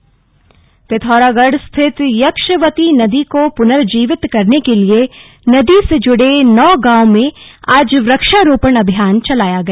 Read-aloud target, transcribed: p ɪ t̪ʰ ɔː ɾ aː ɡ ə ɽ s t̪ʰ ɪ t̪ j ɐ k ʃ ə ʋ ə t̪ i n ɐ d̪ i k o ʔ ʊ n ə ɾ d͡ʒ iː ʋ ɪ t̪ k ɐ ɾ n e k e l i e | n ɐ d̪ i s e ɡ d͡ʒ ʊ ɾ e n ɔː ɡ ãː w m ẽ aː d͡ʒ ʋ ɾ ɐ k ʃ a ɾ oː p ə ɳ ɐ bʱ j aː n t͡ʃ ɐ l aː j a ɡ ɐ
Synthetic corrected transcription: p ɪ t̪ʰ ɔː ɾ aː ɡ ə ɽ s t̪ʰ ɪ t̪ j ɐ k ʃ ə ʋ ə t̪ i n ɐ d̪ i k o p ʊ n ə ɾ d͡ʒ iː ʋ ɪ t̪ k ɐ ɾ n e k e l i e | n ɐ d̪ i s e d͡ʒ ʊ ɽ e n ɔː ɡ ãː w m ẽ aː d͡ʒ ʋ ɾ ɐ k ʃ a ɾ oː p ə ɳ ɐ bʱ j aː n t͡ʃ ɐ l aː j a ɡ ɐ